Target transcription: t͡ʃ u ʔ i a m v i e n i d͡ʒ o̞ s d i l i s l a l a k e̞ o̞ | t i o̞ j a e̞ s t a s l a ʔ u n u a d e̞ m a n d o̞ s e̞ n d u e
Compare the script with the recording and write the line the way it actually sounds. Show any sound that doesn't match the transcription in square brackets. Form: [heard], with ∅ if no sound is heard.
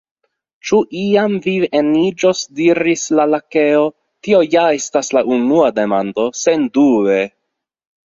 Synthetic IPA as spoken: t͡ʃ u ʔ i a m v i e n i d͡ʒ o̞ s d i [ɾ] i s l a l a k e̞ o̞ | t i o̞ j a e̞ s t a s l a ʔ u n u a d e̞ m a n d o̞ s e̞ n d u e